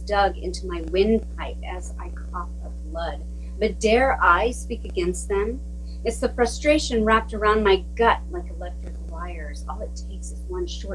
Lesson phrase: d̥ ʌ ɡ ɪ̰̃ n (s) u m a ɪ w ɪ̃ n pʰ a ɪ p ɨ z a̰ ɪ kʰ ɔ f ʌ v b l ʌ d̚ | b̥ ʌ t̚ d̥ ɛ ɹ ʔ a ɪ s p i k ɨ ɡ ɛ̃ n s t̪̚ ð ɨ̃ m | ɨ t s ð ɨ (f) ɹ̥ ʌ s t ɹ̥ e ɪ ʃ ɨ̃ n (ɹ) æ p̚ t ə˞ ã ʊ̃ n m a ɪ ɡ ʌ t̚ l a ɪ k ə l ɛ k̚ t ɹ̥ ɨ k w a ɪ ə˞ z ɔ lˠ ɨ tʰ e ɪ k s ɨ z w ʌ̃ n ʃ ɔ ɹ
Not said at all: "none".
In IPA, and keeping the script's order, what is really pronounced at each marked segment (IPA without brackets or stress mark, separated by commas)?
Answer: t, f, ɹ